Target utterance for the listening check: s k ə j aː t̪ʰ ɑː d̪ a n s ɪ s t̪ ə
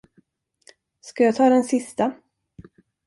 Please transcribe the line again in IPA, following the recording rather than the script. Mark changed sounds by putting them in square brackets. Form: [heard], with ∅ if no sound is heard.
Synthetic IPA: s k [a] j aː t̪ʰ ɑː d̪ [ɛ] n s ɪ s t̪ [a]